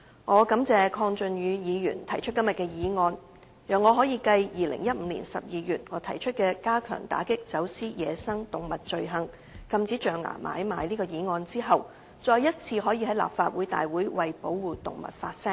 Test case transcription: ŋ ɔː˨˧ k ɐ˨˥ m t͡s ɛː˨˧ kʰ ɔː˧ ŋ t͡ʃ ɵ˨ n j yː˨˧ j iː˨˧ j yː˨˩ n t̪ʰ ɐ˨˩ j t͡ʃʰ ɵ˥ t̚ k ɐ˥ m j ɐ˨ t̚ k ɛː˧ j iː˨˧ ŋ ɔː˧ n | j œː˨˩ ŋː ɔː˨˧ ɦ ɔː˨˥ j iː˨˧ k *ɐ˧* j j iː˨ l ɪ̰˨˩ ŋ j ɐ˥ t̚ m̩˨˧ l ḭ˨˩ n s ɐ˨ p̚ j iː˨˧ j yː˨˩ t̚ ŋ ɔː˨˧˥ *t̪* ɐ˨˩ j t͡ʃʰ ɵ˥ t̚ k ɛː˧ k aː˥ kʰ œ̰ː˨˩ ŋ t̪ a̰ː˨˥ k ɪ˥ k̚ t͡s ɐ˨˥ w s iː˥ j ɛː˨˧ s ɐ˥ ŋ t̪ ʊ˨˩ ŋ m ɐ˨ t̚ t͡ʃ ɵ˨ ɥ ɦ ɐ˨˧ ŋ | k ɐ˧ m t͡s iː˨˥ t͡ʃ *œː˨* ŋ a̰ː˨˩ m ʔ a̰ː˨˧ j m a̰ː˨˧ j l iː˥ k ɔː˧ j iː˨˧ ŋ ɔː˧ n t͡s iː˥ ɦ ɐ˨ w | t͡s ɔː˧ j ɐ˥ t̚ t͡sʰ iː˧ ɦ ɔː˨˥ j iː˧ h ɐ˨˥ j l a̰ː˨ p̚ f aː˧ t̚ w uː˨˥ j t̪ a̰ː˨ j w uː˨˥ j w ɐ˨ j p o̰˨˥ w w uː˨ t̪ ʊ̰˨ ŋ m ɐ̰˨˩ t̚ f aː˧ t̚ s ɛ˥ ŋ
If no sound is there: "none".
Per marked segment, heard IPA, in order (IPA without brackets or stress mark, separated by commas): ɐ˧, t̪ʰ, œː˨